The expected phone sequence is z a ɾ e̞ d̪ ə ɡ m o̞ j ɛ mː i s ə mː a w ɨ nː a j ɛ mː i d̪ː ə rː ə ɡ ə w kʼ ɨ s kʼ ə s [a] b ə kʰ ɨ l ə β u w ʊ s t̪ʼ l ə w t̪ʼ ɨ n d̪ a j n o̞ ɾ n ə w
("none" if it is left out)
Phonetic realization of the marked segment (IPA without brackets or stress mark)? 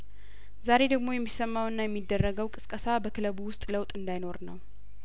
a